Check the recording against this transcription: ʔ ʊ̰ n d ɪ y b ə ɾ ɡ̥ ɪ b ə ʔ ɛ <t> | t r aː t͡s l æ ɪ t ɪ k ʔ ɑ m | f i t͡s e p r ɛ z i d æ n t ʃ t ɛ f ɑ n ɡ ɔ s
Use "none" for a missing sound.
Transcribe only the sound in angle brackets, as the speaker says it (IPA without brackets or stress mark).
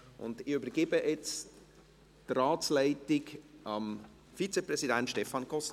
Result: t͡s